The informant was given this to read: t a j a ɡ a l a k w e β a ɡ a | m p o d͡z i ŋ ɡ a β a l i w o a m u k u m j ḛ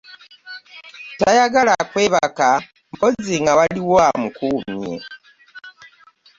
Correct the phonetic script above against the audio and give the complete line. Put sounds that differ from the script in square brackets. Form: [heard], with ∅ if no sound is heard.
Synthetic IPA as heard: t a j a ɡ a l a k w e β a [k] a | m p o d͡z i ŋ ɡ a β a l i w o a m u k u m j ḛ